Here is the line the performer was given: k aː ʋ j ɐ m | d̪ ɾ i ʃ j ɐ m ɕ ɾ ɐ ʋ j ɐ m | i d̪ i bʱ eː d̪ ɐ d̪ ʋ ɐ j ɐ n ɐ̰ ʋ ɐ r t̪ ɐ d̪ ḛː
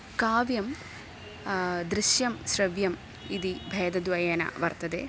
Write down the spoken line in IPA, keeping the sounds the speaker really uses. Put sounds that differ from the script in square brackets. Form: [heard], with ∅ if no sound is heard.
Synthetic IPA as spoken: k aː ʋ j ɐ m | d̪ ɾ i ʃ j ɐ m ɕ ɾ ɐ ʋ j ɐ m | i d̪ i bʱ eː d̪ ɐ d̪ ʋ ɐ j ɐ n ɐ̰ ʋ ɐ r t̪ ɐ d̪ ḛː